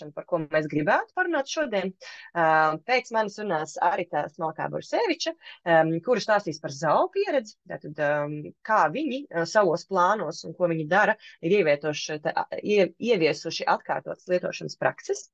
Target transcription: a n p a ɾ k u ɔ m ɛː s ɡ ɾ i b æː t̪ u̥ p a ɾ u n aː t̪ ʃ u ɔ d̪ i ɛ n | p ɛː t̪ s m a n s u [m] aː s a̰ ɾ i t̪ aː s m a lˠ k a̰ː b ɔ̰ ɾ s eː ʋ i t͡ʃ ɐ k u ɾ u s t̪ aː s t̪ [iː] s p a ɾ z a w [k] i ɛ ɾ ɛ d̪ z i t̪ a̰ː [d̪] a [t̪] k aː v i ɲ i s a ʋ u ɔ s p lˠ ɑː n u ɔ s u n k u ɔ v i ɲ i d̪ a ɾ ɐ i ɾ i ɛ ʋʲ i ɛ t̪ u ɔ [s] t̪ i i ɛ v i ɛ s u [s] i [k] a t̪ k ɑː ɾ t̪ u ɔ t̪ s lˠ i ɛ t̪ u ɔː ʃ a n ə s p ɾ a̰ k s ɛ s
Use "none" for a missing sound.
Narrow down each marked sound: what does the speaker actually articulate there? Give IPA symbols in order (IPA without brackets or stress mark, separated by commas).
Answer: n, iː, p, t̪, d̪, ʃ, ʃ, ʔ